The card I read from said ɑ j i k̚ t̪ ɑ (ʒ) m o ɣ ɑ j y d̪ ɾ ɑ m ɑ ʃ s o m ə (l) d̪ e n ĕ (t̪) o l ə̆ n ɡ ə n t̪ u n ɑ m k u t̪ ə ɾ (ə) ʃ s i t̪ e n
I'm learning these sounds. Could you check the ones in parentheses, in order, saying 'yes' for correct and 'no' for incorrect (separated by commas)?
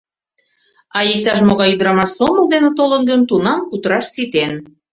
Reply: no, yes, yes, no